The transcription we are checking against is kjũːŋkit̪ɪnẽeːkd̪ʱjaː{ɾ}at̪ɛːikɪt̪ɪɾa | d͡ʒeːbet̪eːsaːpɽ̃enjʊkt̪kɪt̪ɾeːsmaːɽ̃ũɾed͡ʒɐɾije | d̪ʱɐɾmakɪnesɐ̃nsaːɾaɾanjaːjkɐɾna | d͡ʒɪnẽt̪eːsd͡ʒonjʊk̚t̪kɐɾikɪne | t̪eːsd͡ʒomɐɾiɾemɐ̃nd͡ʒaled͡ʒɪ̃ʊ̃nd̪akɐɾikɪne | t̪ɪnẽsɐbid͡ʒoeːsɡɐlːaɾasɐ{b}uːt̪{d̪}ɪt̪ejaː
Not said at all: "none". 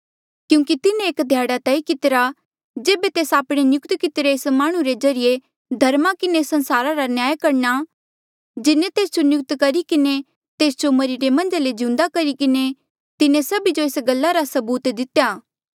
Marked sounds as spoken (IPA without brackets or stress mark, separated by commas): ɽ, b, d̪